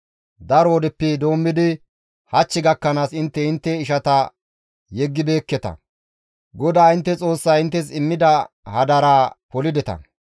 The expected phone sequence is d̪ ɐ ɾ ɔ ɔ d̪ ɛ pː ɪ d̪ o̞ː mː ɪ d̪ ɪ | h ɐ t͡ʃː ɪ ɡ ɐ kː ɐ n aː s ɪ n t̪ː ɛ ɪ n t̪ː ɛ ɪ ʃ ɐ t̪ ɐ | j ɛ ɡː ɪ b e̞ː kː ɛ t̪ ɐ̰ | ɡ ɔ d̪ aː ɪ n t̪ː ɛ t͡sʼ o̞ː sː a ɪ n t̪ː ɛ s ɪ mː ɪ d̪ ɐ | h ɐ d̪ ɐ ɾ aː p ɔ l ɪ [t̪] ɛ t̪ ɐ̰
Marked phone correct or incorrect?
incorrect